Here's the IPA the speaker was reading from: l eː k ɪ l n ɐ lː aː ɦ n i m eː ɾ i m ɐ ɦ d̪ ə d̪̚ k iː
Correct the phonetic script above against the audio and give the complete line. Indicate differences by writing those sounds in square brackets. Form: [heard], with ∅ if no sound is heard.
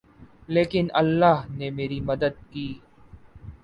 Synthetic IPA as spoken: l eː k ɪ [∅] n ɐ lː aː ɦ n [e] m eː ɾ i m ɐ [∅] d̪ ə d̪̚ k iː